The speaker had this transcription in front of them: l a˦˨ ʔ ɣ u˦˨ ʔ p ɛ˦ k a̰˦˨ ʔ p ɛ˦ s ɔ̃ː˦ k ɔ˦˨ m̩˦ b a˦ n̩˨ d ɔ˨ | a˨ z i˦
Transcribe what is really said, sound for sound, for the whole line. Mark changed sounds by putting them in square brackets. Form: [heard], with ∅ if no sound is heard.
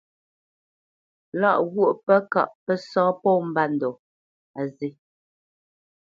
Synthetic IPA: l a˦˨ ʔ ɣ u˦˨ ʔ p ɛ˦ k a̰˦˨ ʔ p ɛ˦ s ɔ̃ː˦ [p] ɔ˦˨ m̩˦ b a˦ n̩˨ d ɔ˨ | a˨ z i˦